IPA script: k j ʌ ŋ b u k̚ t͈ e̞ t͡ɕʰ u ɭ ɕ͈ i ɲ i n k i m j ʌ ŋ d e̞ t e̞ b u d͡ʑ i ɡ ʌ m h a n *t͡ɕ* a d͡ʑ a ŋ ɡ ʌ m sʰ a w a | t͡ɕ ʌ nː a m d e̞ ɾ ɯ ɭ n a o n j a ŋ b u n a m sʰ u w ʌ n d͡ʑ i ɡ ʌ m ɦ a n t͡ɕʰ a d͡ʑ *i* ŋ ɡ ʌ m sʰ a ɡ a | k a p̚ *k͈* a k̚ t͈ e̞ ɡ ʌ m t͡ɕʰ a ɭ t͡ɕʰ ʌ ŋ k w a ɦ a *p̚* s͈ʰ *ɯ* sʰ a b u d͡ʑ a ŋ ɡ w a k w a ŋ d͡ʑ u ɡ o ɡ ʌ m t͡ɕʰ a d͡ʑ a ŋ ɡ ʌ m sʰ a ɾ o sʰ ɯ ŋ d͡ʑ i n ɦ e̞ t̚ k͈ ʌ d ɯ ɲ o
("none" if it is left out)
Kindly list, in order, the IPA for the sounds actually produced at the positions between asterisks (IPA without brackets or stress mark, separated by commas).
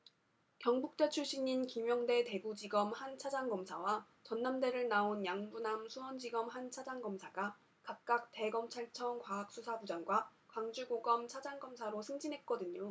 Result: t͡ɕʰ, a, k͈, k̚, u